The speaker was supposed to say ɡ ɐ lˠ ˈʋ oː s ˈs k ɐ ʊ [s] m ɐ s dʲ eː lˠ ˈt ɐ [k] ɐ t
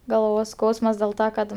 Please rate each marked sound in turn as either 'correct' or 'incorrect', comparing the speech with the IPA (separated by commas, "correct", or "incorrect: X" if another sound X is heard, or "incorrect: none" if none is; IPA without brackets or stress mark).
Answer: correct, correct